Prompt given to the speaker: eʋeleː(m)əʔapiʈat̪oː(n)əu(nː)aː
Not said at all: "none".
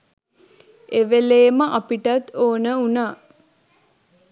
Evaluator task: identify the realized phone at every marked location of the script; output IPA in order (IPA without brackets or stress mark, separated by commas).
m, n, n